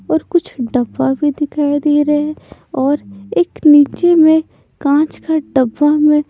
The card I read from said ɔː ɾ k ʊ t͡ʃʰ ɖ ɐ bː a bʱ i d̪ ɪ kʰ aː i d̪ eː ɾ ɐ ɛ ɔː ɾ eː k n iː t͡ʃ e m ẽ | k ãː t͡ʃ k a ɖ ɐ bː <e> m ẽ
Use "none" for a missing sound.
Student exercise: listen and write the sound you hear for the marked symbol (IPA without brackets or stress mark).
a